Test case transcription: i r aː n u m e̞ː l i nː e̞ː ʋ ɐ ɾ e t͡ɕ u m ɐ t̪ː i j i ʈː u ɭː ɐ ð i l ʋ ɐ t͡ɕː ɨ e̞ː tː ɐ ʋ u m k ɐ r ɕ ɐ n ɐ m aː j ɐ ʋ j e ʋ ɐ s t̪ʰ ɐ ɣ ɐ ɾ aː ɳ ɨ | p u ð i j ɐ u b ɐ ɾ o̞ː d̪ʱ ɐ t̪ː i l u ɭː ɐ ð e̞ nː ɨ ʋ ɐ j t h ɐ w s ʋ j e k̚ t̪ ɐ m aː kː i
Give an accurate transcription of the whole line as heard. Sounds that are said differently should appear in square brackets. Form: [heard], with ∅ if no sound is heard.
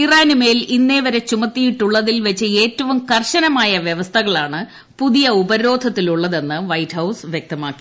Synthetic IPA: i r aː n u m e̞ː l i nː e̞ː ʋ ɐ ɾ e t͡ɕ u m ɐ t̪ː i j i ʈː u ɭː ɐ ð i l ʋ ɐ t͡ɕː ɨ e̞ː tː ɐ ʋ u m k ɐ r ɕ ɐ n ɐ m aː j ɐ ʋ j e ʋ ɐ s t̪ʰ ɐ ɣ ɐ [ɭ] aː ɳ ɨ | p u ð i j ɐ u b ɐ ɾ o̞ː d̪ʱ ɐ t̪ː i l u ɭː ɐ ð e̞ nː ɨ ʋ ɐ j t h ɐ w s ʋ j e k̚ t̪ ɐ m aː kː i